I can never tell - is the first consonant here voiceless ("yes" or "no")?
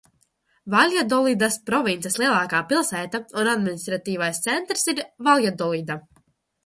no